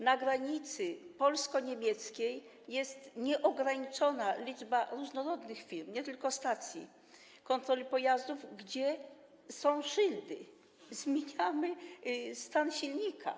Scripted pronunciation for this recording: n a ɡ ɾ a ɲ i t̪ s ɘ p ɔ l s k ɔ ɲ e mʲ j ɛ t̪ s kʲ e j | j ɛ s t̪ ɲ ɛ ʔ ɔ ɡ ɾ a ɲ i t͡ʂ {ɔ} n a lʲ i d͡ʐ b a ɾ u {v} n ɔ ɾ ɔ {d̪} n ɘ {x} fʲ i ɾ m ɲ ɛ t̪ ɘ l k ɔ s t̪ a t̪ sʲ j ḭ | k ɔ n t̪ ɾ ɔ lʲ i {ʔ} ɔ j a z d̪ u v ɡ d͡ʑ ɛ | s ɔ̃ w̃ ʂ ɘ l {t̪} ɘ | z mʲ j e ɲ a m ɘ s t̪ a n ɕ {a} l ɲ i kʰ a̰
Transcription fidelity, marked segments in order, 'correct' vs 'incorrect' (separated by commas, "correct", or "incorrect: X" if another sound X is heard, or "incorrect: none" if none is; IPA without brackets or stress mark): correct, incorrect: ʐ, correct, correct, incorrect: p, incorrect: d̪, incorrect: i